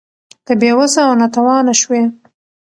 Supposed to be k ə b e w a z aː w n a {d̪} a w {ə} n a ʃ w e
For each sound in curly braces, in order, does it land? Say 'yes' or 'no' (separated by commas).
no, no